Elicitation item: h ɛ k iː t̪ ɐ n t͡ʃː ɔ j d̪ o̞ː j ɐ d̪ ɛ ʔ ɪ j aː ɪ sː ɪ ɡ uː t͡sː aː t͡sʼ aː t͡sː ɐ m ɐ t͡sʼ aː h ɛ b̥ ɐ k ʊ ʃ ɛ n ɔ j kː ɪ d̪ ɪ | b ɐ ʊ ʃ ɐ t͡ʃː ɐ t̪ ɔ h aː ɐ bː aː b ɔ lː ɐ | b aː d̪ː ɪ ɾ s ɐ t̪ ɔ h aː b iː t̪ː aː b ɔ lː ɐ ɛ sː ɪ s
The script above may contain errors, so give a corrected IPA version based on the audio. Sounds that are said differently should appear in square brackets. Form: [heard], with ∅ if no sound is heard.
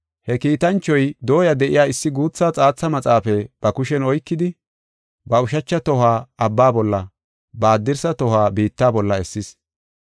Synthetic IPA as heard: h ɛ k iː t̪ ɐ n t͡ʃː ɔ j d̪ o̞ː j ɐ d̪ ɛ ʔ ɪ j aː ɪ sː ɪ ɡ uː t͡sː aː t͡sʼ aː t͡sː ɐ m ɐ t͡sʼ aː [f] ɛ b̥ ɐ k ʊ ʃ ɛ n ɔ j kː ɪ d̪ ɪ | b ɐ ʊ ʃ ɐ t͡ʃː ɐ t̪ ɔ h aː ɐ bː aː b ɔ lː ɐ | b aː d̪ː ɪ ɾ s ɐ t̪ ɔ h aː b iː t̪ː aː b ɔ lː ɐ ɛ sː ɪ s